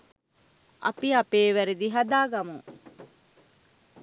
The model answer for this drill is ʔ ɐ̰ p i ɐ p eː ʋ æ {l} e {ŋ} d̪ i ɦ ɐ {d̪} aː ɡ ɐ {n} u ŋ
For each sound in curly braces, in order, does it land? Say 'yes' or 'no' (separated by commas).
no, no, yes, no